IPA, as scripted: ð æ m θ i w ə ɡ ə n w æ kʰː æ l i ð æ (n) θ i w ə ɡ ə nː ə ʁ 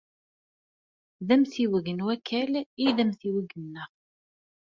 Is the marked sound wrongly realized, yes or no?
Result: yes